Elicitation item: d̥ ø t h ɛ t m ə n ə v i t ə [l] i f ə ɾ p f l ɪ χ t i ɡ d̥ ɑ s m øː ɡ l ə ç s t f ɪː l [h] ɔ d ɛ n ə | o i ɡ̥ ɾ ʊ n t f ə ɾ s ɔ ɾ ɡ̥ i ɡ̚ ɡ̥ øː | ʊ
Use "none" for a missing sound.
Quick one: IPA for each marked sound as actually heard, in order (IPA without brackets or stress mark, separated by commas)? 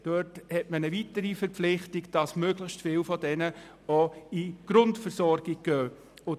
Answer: ɾ, f